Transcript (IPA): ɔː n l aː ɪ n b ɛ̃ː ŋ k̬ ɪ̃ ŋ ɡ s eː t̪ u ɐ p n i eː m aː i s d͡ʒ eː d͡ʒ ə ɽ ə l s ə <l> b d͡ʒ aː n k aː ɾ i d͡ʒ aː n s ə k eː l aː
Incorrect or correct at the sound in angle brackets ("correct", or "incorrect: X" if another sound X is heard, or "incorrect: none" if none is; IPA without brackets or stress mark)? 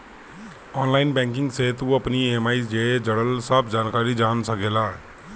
incorrect: none